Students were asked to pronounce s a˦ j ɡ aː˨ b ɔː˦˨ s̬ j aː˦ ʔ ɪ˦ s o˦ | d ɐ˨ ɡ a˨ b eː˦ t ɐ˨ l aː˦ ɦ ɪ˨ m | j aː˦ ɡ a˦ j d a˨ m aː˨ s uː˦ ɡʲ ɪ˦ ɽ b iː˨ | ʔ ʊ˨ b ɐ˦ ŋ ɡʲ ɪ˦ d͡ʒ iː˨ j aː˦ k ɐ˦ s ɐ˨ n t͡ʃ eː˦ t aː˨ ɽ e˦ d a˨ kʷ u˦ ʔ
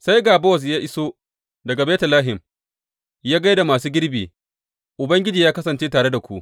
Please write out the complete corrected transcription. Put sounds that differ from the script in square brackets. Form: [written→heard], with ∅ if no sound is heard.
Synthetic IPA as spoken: s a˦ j ɡ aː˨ b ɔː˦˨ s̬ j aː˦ ʔ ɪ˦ s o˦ | d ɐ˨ ɡ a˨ b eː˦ t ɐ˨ l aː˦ ɦ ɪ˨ m | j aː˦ ɡ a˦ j d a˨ m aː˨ s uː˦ ɡʲ ɪ˦ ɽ b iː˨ | ʔ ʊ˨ b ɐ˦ ŋ ɡʲ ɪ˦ d͡ʒ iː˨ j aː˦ k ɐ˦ s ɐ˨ n t͡ʃ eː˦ t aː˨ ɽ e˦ d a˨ kʷ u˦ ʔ